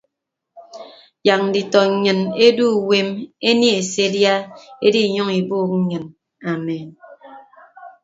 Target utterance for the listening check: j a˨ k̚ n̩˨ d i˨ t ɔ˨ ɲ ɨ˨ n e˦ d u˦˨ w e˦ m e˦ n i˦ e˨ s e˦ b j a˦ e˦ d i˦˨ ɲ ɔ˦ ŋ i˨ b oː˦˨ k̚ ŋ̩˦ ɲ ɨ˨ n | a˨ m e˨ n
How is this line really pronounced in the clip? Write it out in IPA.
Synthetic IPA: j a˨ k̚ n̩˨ d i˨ t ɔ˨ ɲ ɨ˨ n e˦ d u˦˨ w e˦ m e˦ n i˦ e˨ s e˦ d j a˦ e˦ d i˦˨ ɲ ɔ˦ ŋ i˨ b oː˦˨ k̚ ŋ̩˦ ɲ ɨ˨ n | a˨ m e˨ n